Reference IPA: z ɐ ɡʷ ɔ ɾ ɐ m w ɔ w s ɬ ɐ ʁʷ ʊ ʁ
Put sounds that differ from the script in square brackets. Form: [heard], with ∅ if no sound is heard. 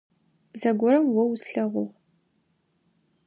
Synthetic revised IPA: z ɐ ɡʷ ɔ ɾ ɐ m w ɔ w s ɬ ɐ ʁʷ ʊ ʁ